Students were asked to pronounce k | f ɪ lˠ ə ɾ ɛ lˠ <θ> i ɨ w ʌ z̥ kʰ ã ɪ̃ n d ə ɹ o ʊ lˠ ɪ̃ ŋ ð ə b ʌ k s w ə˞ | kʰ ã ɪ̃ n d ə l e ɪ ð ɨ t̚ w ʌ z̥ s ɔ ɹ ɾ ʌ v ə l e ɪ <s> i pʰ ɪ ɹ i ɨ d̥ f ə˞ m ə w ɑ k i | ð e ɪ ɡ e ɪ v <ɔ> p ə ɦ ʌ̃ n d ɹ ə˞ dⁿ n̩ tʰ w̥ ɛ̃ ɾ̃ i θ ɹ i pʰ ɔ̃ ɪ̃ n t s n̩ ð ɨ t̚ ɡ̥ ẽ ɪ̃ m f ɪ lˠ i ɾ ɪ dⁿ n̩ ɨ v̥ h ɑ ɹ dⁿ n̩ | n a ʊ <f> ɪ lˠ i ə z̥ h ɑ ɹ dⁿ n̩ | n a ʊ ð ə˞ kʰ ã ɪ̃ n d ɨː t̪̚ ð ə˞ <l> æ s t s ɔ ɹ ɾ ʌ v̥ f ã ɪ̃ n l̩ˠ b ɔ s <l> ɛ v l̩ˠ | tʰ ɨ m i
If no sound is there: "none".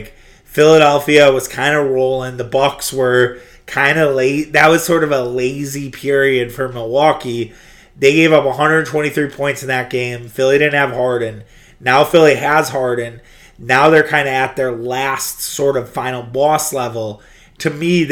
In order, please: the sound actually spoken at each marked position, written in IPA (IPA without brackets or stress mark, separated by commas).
f, z, ʌ, f, l, l